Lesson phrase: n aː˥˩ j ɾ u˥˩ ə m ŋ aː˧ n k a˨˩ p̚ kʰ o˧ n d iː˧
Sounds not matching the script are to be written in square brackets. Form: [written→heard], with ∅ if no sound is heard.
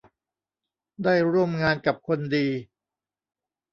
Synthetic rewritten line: [n→d] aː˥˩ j ɾ u˥˩ ə m ŋ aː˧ n k a˨˩ p̚ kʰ o˧ n d iː˧